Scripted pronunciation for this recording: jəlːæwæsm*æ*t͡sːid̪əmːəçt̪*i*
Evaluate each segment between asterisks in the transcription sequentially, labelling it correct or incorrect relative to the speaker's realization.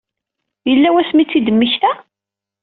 incorrect, incorrect

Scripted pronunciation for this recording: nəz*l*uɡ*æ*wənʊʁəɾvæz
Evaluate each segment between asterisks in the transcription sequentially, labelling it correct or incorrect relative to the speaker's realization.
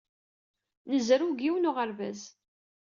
incorrect, incorrect

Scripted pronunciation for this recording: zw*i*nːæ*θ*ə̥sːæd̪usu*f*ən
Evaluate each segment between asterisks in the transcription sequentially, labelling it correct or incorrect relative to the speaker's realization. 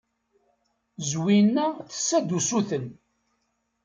correct, correct, incorrect

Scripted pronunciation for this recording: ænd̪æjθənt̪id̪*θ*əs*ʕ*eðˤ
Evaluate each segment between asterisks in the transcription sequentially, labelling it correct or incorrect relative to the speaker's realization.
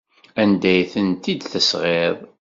correct, incorrect

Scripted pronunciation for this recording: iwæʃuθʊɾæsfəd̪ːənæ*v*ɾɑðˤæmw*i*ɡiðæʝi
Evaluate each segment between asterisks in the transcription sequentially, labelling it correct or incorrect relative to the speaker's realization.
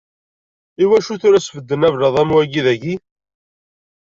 correct, incorrect

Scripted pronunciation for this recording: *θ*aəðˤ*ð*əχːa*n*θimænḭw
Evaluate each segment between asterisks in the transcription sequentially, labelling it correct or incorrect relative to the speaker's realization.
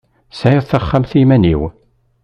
incorrect, incorrect, incorrect

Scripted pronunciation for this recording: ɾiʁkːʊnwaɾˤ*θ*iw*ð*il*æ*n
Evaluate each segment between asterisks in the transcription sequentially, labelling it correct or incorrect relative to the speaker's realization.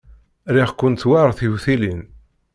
correct, incorrect, incorrect

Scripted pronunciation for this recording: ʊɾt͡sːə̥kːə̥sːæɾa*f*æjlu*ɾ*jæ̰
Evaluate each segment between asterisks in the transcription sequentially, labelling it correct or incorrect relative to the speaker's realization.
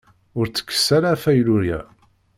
correct, correct

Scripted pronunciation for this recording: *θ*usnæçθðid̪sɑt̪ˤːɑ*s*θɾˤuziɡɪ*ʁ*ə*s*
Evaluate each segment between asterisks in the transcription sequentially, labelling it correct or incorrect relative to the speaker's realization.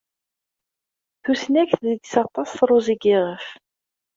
correct, correct, correct, incorrect

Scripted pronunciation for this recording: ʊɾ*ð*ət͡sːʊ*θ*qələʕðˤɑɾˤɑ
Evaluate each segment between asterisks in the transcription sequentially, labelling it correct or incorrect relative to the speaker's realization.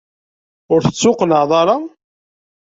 incorrect, incorrect

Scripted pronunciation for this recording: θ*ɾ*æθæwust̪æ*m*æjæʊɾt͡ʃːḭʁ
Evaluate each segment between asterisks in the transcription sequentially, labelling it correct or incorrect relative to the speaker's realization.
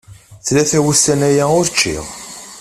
incorrect, incorrect

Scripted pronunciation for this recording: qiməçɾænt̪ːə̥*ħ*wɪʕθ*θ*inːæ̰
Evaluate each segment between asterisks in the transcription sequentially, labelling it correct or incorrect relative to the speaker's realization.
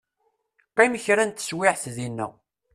incorrect, incorrect

